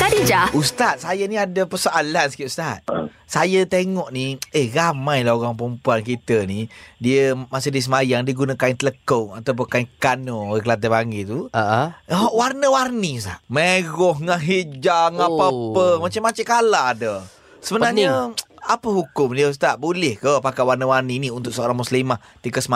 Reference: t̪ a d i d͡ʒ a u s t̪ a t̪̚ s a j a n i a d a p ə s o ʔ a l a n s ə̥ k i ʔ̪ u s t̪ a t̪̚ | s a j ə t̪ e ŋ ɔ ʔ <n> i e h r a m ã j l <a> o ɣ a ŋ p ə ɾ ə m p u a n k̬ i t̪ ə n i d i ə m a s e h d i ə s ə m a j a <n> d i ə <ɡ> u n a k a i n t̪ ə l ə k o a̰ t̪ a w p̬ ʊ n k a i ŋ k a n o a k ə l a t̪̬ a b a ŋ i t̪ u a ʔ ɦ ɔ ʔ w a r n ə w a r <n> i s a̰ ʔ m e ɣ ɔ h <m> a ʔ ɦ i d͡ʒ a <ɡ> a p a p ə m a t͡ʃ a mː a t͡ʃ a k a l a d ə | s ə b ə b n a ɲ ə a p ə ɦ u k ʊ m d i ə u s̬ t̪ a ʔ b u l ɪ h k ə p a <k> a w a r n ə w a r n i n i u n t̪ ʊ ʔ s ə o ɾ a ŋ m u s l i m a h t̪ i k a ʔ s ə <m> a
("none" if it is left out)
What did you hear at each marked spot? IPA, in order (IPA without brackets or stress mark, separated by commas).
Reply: n, a, ŋ, ɡ, n, ŋ, ŋ, k, m